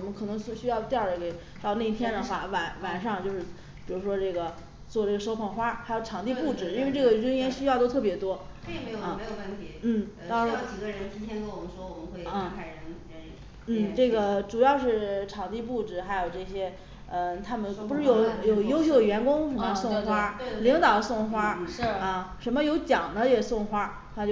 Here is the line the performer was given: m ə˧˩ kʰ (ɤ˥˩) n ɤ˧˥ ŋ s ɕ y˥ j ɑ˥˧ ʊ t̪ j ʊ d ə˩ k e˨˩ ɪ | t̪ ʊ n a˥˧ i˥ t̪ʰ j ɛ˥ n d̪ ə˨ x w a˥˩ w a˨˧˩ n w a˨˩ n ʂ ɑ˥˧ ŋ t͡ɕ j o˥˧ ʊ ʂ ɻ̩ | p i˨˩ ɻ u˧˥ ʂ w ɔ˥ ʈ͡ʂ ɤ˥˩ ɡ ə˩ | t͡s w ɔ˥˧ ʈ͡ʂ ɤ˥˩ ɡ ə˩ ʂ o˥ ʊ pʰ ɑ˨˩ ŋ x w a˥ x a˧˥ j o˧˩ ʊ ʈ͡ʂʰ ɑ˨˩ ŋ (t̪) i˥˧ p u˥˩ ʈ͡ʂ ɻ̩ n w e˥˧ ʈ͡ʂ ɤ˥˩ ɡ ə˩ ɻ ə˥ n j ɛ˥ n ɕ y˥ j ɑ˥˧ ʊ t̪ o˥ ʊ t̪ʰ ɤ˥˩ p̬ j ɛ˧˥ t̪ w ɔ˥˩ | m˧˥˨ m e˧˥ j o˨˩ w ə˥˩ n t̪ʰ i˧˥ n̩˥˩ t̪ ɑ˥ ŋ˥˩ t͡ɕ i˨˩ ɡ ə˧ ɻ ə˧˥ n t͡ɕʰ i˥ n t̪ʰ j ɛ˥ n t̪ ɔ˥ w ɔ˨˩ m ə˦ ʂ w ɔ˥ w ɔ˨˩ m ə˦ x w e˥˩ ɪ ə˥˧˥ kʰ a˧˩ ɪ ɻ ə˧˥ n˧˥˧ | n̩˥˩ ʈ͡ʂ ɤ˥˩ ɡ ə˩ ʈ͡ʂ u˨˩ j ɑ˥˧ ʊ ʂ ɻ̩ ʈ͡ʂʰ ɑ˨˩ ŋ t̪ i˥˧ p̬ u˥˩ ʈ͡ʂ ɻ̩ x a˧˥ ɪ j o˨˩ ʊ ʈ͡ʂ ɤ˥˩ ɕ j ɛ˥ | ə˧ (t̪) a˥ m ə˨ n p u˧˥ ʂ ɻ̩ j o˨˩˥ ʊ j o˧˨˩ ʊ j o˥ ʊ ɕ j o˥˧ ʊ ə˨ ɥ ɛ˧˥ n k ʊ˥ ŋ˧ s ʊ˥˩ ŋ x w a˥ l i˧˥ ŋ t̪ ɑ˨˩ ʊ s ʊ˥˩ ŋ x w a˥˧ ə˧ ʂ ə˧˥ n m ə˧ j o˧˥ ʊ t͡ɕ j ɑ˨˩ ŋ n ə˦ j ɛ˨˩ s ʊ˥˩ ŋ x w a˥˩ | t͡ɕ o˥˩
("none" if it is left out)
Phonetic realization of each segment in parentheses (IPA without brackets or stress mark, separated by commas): ɤ˨˩, t̪, t̪ʰ